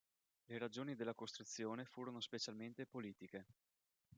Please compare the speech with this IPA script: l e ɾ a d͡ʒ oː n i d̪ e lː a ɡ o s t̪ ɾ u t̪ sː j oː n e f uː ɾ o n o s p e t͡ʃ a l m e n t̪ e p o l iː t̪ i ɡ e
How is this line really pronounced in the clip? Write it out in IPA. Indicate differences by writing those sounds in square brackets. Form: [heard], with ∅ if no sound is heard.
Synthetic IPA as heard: l e ɾ a d͡ʒ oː n i d̪ e lː a [k] o s t̪ ɾ u t̪ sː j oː n e f uː ɾ o n o s p e t͡ʃ a l m e n t̪ e p o l iː t̪ i [k] e